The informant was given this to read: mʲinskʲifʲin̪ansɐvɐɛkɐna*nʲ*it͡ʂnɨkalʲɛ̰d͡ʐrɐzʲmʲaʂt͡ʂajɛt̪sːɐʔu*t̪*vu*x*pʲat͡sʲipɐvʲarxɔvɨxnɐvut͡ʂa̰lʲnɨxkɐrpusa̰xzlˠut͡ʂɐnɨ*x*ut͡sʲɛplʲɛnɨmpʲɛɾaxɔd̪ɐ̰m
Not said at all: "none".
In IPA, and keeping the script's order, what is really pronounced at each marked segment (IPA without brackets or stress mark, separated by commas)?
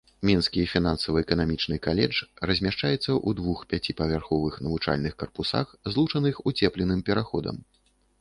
mʲ, d̪, x, x